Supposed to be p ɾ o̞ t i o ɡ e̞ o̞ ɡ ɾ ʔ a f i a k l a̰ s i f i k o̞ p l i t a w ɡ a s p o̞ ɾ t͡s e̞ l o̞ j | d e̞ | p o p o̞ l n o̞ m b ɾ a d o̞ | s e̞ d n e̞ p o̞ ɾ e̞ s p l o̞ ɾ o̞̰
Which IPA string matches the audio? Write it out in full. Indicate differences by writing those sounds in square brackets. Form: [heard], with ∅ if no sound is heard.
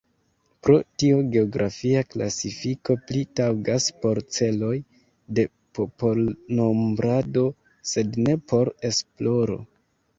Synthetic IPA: p ɾ o̞ t i o ɡ e̞ o̞ ɡ ɾ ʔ a f i a k l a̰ s i f i k o̞ p l i t a w ɡ a s p o̞ ɾ t͡s e̞ l o̞ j | d e̞ | p o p o̞ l n o̞ m b ɾ a d o̞ | s e̞ d n e̞ p o̞ ɾ e̞ s p l o̞ ɾ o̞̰